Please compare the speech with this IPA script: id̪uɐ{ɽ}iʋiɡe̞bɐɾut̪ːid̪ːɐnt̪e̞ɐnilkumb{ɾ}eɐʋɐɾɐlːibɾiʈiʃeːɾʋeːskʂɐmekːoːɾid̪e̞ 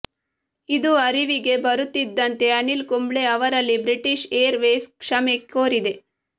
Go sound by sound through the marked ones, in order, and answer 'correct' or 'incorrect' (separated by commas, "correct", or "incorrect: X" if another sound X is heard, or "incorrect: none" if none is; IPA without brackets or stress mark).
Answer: incorrect: ɾ, incorrect: ɭ